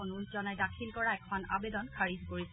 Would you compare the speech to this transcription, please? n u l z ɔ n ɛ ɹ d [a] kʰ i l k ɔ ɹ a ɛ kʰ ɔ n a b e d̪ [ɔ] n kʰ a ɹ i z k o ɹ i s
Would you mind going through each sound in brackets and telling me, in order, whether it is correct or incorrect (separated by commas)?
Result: correct, correct